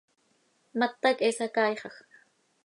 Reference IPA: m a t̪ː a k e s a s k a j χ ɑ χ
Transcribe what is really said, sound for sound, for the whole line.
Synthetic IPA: m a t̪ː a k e s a k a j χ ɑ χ